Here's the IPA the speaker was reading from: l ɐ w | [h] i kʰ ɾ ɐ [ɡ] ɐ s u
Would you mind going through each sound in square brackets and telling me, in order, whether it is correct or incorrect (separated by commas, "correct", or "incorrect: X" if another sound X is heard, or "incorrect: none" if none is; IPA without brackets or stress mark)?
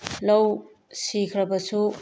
incorrect: s, incorrect: b